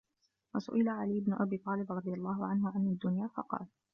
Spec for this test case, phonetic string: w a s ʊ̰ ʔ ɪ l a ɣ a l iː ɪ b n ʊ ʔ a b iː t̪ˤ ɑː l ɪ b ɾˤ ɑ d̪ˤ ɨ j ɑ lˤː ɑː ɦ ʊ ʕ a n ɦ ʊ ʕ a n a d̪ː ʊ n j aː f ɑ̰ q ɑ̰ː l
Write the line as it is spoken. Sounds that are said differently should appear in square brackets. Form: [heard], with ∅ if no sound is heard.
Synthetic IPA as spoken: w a s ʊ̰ ʔ ɪ l a [ʕ] a l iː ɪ b n ʊ ʔ a b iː t̪ˤ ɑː l ɪ b ɾˤ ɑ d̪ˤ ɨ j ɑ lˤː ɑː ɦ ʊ ʕ a n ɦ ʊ ʕ a n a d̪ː ʊ n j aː f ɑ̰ q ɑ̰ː l